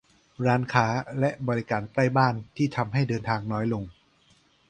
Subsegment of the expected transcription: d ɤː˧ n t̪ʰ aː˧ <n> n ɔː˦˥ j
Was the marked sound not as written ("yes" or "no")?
yes